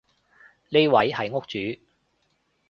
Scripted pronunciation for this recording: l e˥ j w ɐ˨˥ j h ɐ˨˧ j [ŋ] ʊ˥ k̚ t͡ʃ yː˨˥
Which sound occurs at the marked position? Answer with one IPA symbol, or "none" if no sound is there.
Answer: ŋ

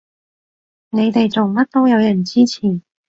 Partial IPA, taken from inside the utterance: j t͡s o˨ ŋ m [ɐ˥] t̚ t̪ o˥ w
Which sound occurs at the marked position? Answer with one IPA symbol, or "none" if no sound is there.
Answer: ɐ˥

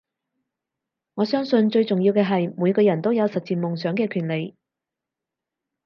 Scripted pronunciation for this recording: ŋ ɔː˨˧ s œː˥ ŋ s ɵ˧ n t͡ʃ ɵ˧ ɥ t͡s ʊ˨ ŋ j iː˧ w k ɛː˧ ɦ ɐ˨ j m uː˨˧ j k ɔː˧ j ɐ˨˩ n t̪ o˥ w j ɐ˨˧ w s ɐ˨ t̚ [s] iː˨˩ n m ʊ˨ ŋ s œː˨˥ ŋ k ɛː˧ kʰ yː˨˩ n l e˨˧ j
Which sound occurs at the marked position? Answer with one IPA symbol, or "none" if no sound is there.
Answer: t͡s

